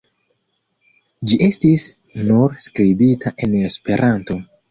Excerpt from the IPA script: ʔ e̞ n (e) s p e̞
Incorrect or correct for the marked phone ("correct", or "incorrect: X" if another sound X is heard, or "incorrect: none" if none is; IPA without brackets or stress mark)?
correct